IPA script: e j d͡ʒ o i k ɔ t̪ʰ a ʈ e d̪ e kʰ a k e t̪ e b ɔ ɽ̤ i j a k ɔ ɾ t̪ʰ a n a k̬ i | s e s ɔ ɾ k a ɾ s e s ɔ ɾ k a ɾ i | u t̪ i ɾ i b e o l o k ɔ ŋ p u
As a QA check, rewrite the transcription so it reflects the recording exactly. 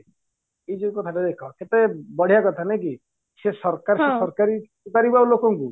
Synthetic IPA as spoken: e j d͡ʒ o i k ɔ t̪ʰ a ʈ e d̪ e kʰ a k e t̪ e b ɔ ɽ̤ i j a k ɔ t̪ʰ a n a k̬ i | s e s ɔ ɾ k a ɾ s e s ɔ ɾ k a ɾ i | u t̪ a ɾ i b a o l o k ɔ ŋ k u